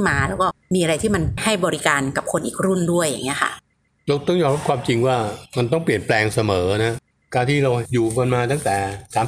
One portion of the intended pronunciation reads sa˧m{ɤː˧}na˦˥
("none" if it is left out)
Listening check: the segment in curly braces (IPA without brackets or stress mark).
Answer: ɤː˩˦˧